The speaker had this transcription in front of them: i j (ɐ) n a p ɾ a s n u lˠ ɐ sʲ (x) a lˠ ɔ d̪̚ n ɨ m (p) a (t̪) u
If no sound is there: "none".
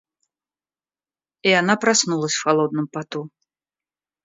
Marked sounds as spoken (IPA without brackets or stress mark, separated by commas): a, x, p, t̪